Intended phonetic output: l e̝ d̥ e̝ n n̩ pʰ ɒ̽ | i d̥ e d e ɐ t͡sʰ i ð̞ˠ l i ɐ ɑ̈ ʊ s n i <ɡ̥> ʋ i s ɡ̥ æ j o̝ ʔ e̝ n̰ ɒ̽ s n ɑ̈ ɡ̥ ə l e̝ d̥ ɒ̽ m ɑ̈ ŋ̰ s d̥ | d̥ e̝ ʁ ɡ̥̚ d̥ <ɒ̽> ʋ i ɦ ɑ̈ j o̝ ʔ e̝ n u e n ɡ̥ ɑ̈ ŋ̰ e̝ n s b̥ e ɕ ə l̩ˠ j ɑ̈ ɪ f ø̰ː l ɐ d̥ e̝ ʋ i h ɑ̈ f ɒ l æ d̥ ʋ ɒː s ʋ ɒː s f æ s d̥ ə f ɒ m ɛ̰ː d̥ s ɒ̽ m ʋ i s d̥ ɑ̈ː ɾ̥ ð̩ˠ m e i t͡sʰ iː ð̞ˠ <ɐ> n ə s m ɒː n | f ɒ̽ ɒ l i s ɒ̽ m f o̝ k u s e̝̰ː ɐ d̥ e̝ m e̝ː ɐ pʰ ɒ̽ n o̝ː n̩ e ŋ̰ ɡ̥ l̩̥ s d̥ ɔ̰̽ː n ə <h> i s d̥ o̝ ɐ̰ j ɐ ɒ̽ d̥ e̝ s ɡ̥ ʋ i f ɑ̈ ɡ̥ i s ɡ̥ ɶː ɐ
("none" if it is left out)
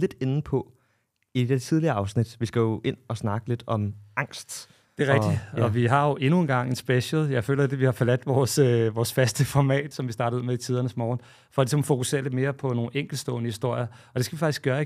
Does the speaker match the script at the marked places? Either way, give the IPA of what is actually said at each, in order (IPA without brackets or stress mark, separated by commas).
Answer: d̥, ɒ̽, ɐ, h